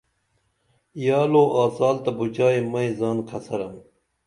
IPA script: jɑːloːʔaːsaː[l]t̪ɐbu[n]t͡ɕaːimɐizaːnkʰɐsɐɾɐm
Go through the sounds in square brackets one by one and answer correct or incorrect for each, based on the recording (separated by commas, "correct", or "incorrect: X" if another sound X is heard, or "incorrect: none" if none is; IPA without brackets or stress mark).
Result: correct, incorrect: none